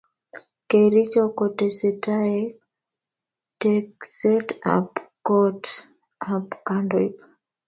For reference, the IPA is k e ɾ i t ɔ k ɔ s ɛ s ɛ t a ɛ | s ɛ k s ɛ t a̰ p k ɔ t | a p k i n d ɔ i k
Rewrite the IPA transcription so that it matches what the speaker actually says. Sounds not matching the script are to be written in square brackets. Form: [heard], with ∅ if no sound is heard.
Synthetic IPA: k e ɾ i [t͡ʃ] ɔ k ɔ [t] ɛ s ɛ t a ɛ | [t] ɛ k s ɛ t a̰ p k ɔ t | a p k [a] n d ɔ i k